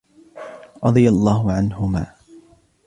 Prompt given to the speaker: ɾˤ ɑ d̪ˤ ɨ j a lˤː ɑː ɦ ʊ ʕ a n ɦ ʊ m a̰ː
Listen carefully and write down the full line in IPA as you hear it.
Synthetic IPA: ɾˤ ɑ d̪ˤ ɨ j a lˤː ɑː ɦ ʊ ʕ a n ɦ ʊ m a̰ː